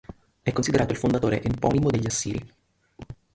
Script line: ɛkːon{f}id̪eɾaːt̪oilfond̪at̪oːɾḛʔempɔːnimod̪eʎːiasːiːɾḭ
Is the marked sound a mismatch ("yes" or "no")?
yes